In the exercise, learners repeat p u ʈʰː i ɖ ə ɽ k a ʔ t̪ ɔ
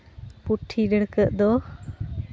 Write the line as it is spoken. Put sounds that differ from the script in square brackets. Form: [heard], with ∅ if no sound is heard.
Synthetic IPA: p u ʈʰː i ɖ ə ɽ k [ə] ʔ [d̪] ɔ